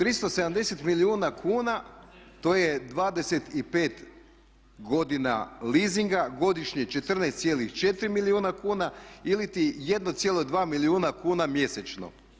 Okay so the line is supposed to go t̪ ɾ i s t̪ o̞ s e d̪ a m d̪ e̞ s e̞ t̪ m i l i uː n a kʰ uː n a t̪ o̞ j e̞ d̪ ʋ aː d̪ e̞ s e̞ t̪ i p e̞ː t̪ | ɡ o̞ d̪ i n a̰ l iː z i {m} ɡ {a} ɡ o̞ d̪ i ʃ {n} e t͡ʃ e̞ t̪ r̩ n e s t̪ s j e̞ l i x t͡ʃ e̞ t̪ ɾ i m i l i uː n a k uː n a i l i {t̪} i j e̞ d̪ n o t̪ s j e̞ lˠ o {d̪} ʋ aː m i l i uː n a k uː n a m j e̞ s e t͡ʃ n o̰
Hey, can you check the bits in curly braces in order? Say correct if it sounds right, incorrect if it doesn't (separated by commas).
incorrect, correct, incorrect, correct, correct